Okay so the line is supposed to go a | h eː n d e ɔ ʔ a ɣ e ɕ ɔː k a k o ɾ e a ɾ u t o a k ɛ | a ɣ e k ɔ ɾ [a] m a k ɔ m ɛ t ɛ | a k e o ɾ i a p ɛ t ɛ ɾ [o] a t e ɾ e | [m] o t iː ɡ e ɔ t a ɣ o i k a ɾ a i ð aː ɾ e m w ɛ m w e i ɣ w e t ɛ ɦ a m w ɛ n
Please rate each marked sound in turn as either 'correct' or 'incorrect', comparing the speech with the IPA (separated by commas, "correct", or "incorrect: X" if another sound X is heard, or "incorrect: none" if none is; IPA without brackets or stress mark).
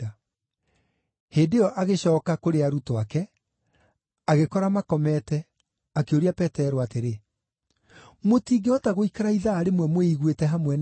correct, correct, correct